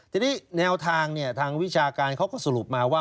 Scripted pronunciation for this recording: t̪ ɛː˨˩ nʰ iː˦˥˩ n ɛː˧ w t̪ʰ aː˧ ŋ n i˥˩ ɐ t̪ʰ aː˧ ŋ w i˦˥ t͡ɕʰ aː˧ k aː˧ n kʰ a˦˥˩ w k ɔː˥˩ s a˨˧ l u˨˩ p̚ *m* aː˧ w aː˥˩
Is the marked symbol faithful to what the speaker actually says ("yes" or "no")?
yes